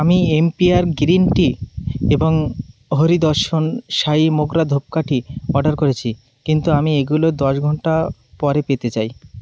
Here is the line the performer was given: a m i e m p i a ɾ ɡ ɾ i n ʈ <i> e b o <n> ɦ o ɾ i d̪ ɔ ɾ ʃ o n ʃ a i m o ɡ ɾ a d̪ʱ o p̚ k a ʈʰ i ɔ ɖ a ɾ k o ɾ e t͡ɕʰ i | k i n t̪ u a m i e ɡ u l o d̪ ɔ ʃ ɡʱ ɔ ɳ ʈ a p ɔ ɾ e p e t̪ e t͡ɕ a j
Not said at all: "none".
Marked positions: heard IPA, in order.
i, ŋ

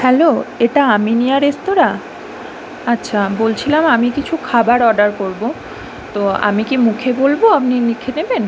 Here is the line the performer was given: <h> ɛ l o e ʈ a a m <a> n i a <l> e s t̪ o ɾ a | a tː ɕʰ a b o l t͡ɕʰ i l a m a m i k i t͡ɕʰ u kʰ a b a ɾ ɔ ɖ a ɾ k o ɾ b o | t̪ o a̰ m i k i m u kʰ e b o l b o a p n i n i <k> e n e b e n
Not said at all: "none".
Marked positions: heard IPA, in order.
h, i, ɾ, kʰ

